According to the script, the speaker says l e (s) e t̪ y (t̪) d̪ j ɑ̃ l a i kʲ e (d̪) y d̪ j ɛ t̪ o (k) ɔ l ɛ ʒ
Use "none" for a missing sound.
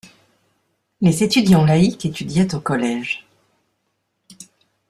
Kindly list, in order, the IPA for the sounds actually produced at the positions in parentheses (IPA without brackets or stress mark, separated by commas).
z, none, t̪, k